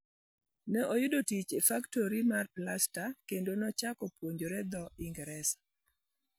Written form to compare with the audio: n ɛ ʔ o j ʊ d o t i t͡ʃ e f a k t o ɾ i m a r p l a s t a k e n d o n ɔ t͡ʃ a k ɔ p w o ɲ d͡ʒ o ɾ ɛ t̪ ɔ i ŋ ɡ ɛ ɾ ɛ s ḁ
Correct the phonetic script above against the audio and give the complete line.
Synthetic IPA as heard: n ɛ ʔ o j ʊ d o t i t͡ʃ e f a k t o ɾ i m a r p l a s t a k e n d o n ɔ t͡ʃ a k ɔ p w o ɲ d͡ʒ o ɾ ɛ d̪ ɔ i ŋ ɡ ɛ ɾ ɛ s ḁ